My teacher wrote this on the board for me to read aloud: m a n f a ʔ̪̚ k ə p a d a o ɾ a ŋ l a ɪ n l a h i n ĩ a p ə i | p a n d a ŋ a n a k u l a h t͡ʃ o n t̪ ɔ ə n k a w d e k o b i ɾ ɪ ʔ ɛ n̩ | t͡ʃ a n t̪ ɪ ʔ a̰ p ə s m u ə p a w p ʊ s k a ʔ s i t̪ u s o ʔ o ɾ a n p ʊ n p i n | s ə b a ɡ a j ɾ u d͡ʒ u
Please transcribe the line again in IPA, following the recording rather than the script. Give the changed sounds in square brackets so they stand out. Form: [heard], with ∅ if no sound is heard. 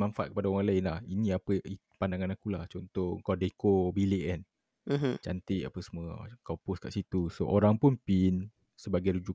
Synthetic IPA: m a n f a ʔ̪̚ k ə p a d a o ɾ a ŋ l a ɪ n l a h i n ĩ a p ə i | p a n d a ŋ a n a k u l a h t͡ʃ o n t̪ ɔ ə [ŋ] k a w d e k o b i [l] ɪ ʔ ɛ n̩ | t͡ʃ a n t̪ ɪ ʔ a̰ p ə s m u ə [k] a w p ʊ s k a ʔ s i t̪ u s o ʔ o ɾ a [ŋ] p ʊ n p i n | s ə b a ɡ a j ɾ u d͡ʒ u